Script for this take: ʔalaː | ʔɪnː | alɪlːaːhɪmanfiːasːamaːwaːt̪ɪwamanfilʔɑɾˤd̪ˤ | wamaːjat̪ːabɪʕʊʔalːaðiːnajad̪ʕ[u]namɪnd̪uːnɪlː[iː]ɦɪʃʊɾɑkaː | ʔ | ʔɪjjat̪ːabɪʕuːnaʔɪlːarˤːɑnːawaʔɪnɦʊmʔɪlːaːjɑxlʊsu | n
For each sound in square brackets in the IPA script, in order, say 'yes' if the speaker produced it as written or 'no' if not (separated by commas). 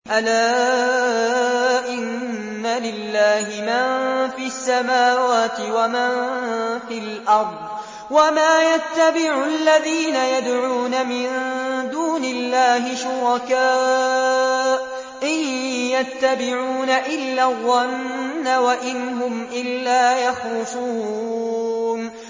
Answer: no, no